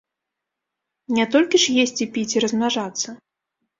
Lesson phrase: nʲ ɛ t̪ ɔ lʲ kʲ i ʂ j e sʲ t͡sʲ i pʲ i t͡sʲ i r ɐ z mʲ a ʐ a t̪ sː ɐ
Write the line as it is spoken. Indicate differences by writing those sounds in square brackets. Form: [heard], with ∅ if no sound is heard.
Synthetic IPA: nʲ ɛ t̪ ɔ lʲ kʲ i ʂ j e sʲ t͡sʲ i pʲ i t͡sʲ i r ɐ z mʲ a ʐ a t̪ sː ɐ